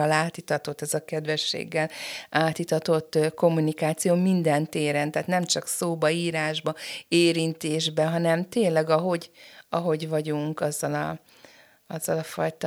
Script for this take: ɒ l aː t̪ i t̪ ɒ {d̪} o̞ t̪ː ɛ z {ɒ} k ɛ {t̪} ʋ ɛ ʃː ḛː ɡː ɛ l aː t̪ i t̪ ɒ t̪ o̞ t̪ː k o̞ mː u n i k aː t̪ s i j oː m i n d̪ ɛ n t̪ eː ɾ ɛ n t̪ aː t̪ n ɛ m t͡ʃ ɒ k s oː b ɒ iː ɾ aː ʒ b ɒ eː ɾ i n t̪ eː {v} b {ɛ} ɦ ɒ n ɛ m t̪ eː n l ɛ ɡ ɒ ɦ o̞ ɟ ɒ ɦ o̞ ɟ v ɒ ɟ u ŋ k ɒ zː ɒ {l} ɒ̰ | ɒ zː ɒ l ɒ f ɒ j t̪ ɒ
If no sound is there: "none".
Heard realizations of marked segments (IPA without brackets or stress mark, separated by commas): t̪, ɒ, d̪, ʒ, ɛ, l